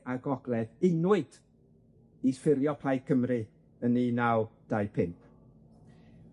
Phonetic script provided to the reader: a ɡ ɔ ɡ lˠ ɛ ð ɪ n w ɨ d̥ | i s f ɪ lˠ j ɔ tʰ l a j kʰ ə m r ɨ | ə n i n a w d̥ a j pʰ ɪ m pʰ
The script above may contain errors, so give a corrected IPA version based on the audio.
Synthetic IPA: a ɡ ɔ ɡ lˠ ɛ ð ɪ n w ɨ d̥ | i s f ɪ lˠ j ɔ pʰ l a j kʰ ə m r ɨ | ə n i n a w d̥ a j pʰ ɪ m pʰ